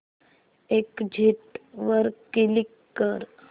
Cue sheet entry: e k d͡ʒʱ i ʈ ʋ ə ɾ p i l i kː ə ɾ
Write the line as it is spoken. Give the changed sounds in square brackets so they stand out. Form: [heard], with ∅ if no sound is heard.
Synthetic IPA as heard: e k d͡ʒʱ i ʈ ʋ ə ɾ [k] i l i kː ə ɾ